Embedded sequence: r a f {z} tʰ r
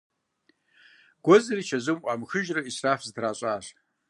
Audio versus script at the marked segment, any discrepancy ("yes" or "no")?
no